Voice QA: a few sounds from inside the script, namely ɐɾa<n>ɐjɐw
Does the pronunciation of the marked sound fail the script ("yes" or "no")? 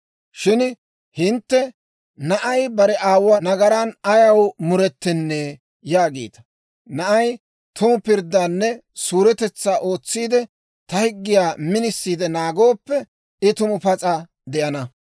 no